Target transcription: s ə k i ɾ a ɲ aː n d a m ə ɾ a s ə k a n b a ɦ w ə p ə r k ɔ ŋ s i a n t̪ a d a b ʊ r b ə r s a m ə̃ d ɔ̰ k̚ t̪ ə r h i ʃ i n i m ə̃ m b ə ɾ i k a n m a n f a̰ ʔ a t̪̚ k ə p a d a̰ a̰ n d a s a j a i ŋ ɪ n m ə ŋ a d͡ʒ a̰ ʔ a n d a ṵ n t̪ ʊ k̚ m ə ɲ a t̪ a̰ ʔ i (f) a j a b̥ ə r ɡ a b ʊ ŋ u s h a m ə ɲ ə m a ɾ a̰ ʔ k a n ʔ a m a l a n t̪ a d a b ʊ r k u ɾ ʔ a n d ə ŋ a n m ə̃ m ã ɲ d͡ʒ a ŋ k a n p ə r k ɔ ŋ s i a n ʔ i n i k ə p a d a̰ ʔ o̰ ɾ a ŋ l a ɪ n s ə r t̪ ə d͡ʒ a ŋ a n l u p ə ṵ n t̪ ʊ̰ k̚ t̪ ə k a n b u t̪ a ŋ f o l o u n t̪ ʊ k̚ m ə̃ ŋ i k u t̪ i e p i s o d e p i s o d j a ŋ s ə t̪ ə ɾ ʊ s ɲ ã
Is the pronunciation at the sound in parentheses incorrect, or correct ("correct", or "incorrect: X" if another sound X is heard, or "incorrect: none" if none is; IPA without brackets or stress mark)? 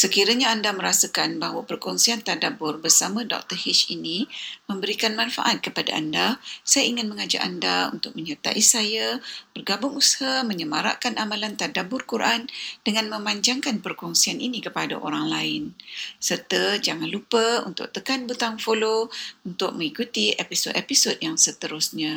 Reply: incorrect: s